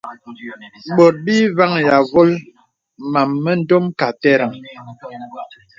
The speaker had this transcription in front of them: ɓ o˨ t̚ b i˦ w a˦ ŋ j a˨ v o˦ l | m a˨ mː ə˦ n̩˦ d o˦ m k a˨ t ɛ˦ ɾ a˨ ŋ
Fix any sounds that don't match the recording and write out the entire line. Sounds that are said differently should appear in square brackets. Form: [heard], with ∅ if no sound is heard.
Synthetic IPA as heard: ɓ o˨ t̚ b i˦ [v] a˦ ŋ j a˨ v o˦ l | m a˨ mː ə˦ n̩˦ d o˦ m k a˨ t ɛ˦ ɾ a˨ ŋ

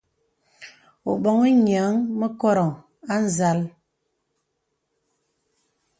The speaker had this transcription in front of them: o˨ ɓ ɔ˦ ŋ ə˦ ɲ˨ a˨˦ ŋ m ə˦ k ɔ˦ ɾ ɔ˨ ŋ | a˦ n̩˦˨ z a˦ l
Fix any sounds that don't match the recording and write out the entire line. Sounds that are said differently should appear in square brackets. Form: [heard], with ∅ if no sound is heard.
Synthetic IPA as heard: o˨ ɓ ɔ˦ ŋ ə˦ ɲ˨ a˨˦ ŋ m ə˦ k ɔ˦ ɾ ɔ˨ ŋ | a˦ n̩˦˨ z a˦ l

